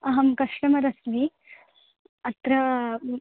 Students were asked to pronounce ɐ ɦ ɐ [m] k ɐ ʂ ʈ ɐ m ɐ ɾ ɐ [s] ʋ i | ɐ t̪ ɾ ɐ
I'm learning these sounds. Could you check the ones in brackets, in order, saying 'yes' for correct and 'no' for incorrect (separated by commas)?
yes, yes